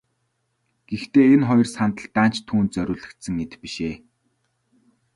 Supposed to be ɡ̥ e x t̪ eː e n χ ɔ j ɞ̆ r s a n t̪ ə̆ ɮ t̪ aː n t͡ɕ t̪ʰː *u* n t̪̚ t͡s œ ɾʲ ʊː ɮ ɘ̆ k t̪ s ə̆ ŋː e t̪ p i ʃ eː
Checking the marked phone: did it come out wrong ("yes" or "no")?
yes